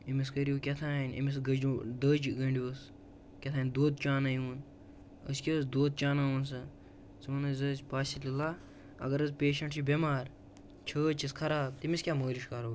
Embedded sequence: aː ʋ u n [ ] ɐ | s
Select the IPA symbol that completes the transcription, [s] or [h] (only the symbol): s